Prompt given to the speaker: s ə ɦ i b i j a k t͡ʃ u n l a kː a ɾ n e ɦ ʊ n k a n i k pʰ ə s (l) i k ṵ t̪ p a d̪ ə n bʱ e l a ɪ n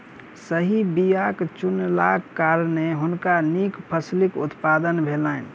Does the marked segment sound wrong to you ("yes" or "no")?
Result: no